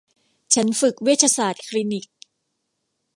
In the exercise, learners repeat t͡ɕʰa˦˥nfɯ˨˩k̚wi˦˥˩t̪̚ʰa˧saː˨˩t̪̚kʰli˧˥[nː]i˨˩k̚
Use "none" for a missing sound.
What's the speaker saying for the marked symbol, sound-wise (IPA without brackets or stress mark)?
n